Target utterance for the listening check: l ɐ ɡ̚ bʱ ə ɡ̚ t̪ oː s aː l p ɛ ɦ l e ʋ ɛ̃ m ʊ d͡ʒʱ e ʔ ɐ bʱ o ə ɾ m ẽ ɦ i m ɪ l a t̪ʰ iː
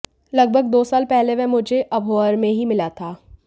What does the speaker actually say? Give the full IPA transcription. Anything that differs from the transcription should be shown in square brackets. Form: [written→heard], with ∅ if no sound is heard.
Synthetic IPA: l ɐ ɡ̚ bʱ ə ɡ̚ [t̪→d̪] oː s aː l p ɛ ɦ l e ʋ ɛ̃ m ʊ d͡ʒʱ e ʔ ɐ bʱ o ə ɾ m ẽ ɦ i m ɪ l a t̪ʰ [iː→aː]